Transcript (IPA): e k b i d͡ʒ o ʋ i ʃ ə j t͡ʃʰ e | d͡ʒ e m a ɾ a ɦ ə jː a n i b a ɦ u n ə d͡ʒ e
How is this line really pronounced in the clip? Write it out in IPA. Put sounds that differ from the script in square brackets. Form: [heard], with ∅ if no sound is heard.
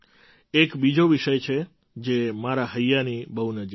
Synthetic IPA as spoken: e k b i d͡ʒ o ʋ i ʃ ə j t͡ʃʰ e | d͡ʒ e m a ɾ a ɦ ə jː a n i b [ə] ɦ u n ə d͡ʒ [i]